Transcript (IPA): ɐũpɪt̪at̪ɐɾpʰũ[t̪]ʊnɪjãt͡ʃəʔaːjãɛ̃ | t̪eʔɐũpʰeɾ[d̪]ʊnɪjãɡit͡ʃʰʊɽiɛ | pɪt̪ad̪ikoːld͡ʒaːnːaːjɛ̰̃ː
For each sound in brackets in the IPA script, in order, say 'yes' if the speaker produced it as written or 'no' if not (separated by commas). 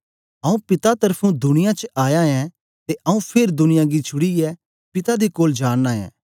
no, yes